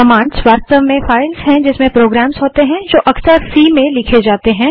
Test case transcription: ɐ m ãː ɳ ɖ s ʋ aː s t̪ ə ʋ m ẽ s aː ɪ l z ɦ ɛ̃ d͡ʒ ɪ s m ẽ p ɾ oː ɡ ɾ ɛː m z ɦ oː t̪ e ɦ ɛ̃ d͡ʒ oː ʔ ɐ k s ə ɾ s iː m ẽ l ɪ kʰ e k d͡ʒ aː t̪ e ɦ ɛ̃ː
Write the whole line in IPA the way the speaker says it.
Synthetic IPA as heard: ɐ m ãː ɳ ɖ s ʋ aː s t̪ ə ʋ m ẽ f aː ɪ l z ɦ ɛ̃ d͡ʒ ɪ s m ẽ p ɾ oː ɡ ɾ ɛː m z ɦ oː t̪ e ɦ ɛ̃ d͡ʒ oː ʔ ɐ k s ə ɾ s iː m ẽ l ɪ kʰ e d͡ʒ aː t̪ e ɦ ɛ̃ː